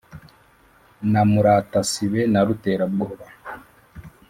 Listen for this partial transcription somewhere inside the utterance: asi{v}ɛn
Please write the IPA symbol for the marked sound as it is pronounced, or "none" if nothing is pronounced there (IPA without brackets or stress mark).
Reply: β